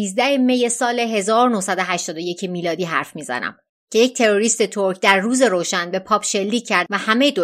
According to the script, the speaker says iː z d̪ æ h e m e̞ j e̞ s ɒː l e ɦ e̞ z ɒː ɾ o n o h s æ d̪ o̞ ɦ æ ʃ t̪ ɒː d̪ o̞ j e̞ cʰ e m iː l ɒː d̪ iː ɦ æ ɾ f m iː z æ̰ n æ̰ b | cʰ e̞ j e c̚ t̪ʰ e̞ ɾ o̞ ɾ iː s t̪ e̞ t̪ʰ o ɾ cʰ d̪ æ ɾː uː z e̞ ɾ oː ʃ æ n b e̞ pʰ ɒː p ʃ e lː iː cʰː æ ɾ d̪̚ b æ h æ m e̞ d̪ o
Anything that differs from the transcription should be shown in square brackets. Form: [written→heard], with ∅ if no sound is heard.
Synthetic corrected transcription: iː z d̪ æ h e m e̞ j e̞ s ɒː l e ɦ e̞ z ɒː ɾ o n o h s æ d̪ o̞ ɦ æ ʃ t̪ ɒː d̪ o̞ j e̞ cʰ e m iː l ɒː d̪ iː ɦ æ ɾ f m iː z æ̰ n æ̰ [b→m] | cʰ e̞ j e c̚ t̪ʰ e̞ ɾ o̞ ɾ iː s t̪ e̞ t̪ʰ o ɾ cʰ d̪ æ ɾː uː z e̞ ɾ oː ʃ æ n b e̞ pʰ ɒː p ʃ e lː iː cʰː æ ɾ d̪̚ [b→v] æ h æ m e̞ d̪ o